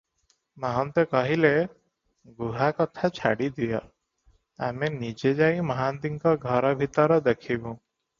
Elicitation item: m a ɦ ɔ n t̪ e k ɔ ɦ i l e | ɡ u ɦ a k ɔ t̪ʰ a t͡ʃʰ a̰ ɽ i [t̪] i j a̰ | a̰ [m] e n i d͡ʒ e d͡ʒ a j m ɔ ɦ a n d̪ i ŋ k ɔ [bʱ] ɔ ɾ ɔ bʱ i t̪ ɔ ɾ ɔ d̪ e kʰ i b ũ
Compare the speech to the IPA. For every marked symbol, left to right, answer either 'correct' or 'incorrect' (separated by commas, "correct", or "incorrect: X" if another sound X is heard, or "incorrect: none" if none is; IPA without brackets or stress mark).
incorrect: d̪, correct, incorrect: ɡʱ